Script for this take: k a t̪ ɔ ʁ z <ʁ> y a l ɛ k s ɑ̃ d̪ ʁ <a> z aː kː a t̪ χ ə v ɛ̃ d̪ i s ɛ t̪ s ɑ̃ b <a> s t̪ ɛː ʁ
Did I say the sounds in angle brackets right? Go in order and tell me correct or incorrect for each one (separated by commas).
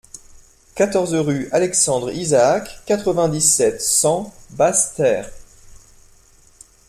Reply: correct, incorrect, correct